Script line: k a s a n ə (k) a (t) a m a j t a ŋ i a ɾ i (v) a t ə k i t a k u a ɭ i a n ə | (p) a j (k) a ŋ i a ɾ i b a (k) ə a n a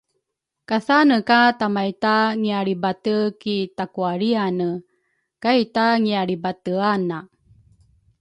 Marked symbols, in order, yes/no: yes, yes, no, no, no, no

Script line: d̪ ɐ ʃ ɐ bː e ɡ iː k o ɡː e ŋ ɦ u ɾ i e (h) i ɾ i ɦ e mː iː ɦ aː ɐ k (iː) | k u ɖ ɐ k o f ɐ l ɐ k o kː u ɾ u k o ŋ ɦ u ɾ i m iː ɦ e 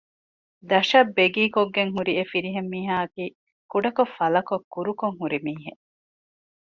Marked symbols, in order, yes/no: no, yes

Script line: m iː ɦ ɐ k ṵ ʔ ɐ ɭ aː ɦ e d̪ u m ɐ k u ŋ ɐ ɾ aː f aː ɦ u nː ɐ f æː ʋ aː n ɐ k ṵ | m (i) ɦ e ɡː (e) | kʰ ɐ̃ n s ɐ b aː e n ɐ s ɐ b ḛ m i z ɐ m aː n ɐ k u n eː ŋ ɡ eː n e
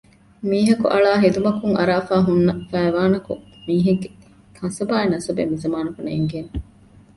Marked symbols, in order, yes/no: no, yes

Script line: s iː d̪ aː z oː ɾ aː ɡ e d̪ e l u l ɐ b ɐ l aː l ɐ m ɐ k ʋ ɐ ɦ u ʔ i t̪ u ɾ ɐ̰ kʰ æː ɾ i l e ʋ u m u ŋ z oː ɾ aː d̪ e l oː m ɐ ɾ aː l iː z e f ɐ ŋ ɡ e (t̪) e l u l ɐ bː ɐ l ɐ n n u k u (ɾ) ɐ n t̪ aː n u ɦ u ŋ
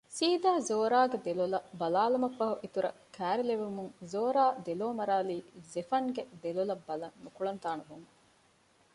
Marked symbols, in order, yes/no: no, no

